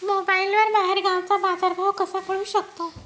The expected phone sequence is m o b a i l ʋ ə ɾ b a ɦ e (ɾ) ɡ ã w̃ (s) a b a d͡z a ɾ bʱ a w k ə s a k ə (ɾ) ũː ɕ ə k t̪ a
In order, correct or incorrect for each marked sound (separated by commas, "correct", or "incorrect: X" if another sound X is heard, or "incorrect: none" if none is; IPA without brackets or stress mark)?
correct, incorrect: t͡s, incorrect: ɽ